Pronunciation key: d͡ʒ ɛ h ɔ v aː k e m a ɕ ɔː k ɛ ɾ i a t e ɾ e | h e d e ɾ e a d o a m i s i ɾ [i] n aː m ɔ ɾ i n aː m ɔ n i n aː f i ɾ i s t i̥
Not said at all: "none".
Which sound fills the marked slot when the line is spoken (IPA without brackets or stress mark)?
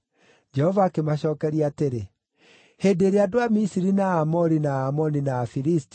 i